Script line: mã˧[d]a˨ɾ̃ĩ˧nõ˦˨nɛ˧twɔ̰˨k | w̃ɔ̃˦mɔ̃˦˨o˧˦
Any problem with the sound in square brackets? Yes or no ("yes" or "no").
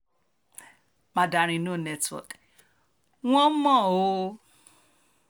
no